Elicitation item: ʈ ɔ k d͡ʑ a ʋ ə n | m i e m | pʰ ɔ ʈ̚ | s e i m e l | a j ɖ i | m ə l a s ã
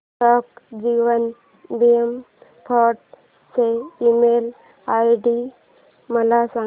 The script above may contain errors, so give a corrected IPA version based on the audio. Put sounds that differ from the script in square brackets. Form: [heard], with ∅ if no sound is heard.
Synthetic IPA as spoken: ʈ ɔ k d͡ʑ [i] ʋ ə n | [b] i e m | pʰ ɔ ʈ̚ | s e i m e l | a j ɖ i | m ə l a s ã